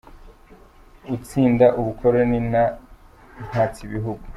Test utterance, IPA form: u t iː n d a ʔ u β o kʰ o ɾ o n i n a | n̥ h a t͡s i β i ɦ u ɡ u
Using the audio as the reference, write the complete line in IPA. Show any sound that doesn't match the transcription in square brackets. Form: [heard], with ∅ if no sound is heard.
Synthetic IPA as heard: u [t͡s] iː n d a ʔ u β [u] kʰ o ɾ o n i n a | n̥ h a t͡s i β i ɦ u ɡ u

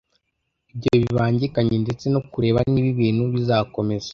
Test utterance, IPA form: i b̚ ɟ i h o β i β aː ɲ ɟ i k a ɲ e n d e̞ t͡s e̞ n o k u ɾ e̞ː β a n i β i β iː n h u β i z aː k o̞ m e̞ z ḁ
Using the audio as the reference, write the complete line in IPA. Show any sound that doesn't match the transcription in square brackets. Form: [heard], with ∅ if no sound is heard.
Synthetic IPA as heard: i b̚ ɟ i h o β i β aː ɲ ɟ i k a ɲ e n d e̞ t͡s e̞ n o k u ɾ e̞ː β a n i β i β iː n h u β i z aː k o̞ m e̞ z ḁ

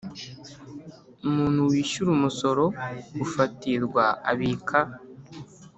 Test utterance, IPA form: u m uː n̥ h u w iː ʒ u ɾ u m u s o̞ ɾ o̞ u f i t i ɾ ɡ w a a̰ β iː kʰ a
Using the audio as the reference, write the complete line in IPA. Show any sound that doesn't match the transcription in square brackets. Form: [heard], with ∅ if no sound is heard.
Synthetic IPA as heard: u m uː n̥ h u w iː [ʃ] u ɾ u m u s o̞ ɾ o̞ u f [a] t i ɾ ɡ w a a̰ β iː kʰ a

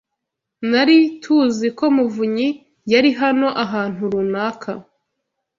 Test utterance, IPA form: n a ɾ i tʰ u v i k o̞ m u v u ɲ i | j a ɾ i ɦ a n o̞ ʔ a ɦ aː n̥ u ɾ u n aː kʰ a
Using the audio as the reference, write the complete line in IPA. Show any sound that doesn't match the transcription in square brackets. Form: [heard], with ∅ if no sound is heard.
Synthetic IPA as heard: n a ɾ i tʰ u [z] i k o̞ m u v u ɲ i | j a ɾ i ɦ a n o̞ ʔ a ɦ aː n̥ u ɾ u n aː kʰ a

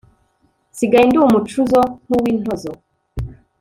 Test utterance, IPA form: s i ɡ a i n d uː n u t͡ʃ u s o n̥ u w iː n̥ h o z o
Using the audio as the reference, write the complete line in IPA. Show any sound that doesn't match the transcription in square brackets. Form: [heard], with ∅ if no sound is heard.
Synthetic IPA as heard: s i ɡ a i n d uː [m] u t͡ʃ u [z] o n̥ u w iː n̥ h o z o

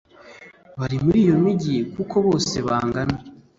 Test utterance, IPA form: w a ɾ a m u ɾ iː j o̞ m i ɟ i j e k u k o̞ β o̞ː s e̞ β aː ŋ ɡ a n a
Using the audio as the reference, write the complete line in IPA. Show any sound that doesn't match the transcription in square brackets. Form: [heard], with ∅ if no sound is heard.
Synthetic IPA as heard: [β] a ɾ [i] m u ɾ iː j o̞ m i ɟ i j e k u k o̞ β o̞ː s e̞ β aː ŋ ɡ a n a

